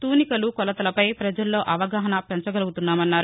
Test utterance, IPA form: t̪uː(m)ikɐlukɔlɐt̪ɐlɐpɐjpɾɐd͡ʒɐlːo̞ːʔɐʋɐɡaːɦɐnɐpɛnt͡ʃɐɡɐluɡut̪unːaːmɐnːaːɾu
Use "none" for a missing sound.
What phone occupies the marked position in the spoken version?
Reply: n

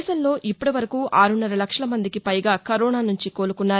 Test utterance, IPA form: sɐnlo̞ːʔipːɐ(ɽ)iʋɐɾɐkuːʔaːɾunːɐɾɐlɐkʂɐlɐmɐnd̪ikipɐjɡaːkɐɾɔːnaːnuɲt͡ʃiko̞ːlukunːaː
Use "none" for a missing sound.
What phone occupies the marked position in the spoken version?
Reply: ɽ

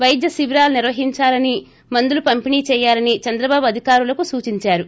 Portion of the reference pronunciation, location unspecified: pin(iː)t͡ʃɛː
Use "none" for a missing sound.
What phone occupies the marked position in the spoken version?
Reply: iː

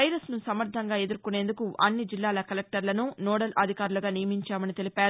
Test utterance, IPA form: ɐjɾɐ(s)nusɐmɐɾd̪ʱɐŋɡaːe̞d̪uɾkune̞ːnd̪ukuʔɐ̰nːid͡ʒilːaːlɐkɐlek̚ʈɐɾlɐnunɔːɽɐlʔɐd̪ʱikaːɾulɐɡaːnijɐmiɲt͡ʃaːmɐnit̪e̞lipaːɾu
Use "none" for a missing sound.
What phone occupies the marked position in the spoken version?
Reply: s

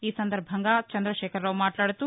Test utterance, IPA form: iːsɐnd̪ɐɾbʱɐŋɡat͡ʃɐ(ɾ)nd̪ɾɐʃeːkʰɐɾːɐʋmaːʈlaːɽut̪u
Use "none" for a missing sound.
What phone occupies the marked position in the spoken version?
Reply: none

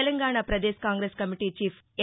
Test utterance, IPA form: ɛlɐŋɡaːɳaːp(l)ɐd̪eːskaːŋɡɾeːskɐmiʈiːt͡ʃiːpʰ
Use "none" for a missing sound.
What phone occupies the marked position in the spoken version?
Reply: ɾ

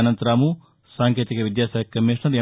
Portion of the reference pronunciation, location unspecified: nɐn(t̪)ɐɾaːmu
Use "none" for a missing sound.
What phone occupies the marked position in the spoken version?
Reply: t̪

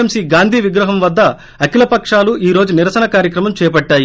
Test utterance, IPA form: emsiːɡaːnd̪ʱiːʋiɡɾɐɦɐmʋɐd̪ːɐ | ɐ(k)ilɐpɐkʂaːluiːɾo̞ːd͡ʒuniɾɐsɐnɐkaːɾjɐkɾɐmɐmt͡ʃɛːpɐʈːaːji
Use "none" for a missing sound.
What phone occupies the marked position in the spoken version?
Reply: k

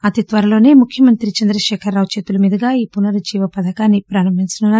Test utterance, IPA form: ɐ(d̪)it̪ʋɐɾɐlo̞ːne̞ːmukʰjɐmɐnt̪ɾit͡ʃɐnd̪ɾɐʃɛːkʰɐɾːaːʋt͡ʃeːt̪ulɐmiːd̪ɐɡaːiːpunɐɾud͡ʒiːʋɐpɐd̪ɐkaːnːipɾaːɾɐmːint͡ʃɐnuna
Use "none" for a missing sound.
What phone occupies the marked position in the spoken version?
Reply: t̪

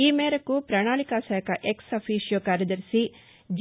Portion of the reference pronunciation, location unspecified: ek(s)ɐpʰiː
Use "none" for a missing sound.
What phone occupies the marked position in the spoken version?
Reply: s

